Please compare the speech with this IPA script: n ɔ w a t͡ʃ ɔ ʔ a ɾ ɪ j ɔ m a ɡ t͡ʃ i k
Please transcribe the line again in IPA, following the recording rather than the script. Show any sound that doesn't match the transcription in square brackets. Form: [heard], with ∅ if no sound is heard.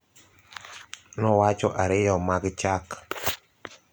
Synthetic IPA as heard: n ɔ w a t͡ʃ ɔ ʔ a ɾ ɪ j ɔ m a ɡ t͡ʃ [a] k